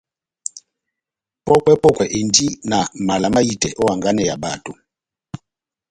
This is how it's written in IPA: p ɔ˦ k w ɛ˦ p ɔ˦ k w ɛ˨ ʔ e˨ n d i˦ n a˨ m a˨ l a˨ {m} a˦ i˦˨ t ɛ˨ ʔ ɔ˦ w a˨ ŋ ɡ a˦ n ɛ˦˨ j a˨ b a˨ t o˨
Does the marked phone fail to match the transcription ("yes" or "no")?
no